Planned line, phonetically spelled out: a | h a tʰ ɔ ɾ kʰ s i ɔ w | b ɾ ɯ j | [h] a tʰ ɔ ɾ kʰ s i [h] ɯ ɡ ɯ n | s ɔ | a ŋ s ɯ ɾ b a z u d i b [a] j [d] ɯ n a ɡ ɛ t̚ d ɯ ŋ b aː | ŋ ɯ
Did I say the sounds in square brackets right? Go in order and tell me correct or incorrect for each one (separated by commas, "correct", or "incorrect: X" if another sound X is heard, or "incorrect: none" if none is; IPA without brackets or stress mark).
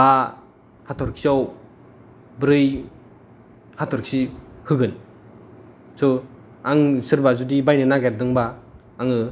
correct, correct, correct, incorrect: n